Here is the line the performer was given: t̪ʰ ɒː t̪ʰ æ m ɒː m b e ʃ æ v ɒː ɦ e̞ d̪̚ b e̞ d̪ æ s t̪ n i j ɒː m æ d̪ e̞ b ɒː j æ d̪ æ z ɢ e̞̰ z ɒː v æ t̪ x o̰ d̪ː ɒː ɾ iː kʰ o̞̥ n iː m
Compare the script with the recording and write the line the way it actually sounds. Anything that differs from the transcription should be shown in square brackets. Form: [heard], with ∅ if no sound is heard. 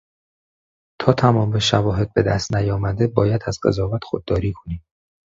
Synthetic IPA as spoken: t̪ʰ ɒː t̪ʰ æ m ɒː m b e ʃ æ v ɒː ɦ e̞ d̪̚ b e̞ d̪ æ s t̪ n [æ] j ɒː m æ d̪ e̞ b ɒː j æ d̪ æ z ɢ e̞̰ z ɒː v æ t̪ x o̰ d̪ː ɒː ɾ iː kʰ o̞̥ n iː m